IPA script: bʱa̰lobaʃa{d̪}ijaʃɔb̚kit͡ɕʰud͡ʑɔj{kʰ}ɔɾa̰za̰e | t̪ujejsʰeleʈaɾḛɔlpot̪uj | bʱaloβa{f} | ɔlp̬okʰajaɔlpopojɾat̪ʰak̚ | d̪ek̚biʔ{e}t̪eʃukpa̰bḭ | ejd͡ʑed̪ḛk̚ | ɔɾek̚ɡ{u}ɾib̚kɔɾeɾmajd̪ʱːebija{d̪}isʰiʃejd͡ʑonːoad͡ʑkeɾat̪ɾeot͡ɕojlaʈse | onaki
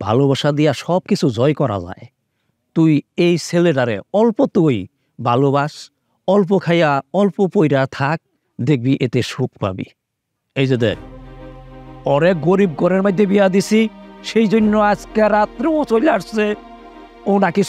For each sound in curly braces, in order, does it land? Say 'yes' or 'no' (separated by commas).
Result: yes, no, no, yes, no, yes